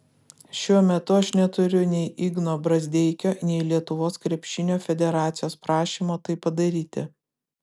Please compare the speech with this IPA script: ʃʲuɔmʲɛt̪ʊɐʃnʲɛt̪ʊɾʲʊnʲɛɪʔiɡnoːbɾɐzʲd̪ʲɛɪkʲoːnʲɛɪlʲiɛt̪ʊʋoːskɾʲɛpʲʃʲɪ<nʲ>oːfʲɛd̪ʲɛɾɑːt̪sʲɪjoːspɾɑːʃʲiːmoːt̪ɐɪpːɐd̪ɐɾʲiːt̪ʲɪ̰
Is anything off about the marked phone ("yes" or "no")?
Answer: no